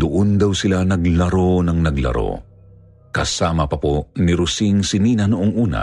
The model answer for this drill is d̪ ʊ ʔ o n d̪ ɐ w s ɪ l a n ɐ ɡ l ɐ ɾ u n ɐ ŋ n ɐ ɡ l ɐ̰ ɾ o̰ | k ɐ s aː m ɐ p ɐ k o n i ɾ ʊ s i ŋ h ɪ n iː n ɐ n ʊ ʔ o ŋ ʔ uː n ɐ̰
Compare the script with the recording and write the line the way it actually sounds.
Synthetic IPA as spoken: d̪ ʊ ʔ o n d̪ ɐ w s ɪ l a n ɐ ɡ l ɐ ɾ o n ɐ ŋ n ɐ ɡ l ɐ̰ ɾ o̰ | k ɐ s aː m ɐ p ɐ p o n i ɾ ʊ s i ŋ s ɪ n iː n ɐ n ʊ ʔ o ŋ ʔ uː n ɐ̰